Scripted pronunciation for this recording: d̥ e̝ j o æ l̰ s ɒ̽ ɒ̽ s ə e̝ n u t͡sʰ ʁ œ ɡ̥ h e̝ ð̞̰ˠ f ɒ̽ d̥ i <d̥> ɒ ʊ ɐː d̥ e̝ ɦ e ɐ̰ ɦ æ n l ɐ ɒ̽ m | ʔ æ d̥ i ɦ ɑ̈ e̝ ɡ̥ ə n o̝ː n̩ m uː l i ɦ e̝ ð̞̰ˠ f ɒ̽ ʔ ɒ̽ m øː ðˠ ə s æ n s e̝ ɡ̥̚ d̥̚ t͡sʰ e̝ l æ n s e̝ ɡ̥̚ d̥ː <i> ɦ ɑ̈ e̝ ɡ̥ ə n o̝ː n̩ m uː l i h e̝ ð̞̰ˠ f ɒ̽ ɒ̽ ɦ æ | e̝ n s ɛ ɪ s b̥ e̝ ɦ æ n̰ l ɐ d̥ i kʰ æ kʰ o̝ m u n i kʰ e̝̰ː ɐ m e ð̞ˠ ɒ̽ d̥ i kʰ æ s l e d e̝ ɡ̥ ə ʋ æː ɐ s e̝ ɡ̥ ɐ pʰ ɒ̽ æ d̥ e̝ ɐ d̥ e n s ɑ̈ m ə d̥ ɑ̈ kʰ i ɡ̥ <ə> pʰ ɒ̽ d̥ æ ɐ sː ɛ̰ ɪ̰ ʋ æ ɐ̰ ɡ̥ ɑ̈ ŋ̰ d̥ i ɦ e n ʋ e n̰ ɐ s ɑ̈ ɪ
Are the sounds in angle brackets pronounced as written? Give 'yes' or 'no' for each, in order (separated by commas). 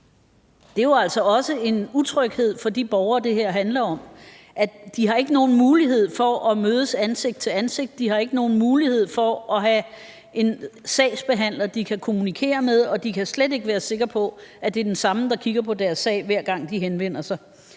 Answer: no, yes, no